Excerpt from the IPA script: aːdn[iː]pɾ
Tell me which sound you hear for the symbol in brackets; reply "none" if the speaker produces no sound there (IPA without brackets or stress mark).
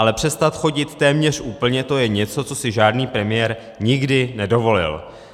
iː